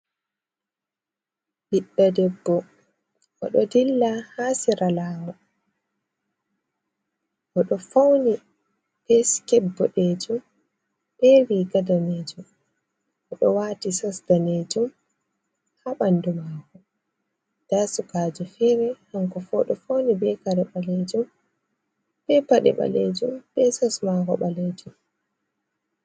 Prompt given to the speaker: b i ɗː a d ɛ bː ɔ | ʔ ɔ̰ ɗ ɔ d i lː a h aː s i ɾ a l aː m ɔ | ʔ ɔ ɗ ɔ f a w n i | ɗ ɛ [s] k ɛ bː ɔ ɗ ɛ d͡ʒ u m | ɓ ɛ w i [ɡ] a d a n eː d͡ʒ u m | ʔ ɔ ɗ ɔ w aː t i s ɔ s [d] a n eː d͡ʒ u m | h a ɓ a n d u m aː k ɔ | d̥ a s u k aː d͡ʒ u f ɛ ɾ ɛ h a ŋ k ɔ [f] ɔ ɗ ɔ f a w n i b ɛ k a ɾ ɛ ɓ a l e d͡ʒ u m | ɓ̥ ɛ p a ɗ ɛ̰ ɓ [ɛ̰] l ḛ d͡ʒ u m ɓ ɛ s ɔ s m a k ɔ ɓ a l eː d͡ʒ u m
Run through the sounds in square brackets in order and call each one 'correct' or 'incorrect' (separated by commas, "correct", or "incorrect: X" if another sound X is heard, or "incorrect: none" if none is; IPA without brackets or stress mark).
correct, correct, correct, correct, incorrect: a̰